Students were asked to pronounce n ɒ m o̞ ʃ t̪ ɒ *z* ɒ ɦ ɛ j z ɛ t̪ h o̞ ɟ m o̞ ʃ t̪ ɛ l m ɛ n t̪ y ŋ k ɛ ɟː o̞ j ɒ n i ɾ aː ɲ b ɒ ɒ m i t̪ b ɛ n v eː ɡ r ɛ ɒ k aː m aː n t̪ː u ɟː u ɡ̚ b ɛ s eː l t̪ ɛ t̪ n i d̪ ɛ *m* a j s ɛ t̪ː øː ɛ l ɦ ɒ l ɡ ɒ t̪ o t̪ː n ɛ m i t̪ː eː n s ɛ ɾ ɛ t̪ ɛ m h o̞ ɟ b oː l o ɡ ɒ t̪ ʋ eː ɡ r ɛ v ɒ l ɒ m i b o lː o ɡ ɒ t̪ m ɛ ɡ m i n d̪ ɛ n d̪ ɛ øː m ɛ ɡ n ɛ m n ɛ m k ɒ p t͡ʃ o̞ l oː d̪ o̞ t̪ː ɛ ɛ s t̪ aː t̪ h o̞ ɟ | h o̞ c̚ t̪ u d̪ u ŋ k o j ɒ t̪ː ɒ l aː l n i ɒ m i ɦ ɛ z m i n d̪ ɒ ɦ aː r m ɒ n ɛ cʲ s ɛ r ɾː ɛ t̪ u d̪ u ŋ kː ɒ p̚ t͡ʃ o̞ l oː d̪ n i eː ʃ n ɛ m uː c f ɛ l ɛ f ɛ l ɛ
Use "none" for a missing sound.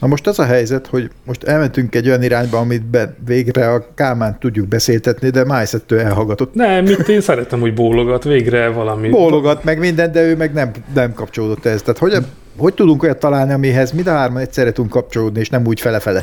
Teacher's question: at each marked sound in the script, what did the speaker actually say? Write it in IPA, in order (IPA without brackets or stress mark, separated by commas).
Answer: z, m